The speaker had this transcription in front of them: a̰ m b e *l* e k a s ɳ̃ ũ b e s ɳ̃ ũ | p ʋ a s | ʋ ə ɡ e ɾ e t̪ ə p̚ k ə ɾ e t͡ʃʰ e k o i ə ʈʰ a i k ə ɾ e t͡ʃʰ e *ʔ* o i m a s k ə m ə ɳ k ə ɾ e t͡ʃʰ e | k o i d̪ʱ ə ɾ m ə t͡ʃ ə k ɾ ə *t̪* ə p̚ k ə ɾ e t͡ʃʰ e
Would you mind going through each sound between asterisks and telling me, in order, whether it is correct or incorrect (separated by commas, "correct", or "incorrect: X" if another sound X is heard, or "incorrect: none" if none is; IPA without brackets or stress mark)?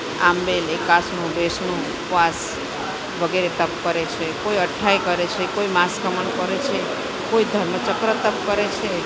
correct, incorrect: k, correct